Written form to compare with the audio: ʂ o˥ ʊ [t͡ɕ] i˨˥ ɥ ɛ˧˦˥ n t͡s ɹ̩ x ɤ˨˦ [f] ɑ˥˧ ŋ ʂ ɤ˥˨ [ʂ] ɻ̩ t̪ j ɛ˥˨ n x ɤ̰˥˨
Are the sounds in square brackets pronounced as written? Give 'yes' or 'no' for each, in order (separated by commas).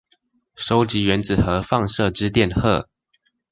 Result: yes, yes, no